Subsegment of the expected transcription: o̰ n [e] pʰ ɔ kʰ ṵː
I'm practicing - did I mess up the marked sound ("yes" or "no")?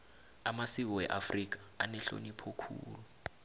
yes